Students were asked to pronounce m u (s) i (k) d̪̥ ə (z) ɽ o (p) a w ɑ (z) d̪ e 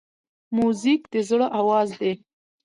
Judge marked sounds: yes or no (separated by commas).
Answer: no, yes, yes, no, yes